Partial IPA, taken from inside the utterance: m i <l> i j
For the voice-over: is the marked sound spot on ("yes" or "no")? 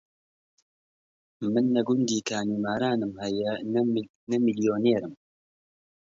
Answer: yes